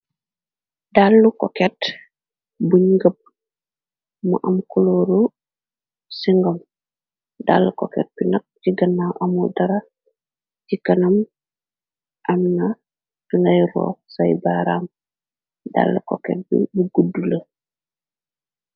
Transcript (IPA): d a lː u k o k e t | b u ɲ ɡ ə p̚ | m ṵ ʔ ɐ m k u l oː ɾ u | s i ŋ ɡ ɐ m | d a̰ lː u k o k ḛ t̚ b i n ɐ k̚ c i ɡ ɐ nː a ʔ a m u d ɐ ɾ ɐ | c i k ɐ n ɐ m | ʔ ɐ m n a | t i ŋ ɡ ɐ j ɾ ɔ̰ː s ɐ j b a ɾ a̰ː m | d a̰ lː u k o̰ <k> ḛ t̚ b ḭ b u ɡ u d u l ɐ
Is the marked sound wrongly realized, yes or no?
no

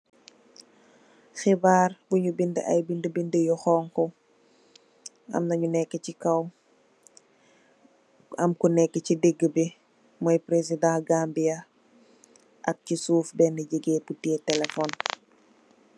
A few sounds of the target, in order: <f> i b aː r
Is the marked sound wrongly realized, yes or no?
yes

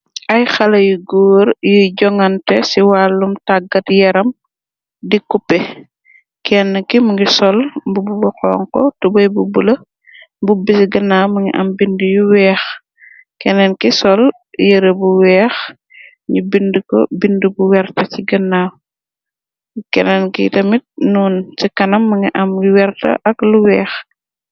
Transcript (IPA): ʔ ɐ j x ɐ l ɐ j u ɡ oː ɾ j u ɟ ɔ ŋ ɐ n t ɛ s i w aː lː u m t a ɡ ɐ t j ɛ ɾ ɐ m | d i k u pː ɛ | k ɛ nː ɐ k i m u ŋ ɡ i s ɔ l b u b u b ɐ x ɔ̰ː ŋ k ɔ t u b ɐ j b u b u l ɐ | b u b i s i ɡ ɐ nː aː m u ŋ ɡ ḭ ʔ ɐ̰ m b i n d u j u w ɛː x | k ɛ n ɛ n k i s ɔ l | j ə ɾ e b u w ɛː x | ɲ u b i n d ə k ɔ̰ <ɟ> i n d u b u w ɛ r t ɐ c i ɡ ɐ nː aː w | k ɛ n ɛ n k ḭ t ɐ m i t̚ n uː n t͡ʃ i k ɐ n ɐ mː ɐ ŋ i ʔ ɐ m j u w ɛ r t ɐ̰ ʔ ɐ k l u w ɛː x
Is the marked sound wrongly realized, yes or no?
yes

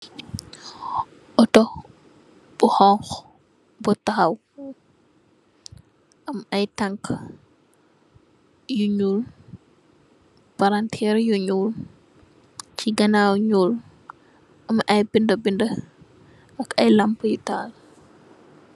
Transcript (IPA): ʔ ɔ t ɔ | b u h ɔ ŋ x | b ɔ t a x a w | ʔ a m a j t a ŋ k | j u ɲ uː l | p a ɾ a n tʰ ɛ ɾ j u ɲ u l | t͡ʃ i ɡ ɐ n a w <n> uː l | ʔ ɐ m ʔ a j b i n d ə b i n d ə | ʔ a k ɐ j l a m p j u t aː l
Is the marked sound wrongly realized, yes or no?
yes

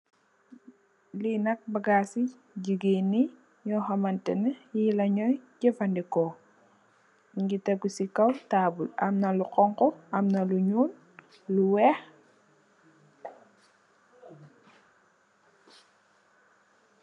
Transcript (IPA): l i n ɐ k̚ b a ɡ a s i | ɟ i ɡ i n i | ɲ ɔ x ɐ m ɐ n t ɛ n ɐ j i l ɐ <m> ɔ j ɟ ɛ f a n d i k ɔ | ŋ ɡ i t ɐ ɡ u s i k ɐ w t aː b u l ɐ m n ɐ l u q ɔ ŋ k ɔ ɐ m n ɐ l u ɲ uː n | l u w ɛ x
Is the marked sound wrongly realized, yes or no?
yes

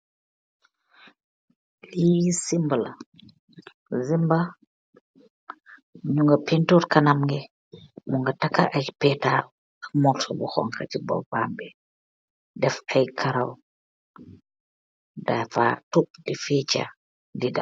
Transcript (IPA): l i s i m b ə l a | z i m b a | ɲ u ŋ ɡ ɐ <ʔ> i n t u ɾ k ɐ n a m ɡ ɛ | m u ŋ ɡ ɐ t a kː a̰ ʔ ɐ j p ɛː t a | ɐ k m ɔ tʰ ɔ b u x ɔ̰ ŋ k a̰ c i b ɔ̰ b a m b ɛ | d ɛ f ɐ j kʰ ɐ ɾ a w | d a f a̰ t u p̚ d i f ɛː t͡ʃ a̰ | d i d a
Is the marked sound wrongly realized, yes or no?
yes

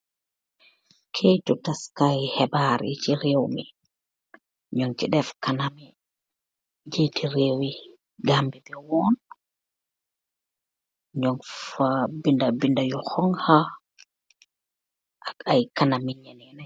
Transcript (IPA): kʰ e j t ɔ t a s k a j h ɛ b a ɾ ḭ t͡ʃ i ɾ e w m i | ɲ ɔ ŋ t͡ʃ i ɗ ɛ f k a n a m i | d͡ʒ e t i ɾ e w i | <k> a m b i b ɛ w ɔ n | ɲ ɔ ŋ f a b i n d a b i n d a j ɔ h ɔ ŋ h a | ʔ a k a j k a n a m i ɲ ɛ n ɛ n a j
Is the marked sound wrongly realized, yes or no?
yes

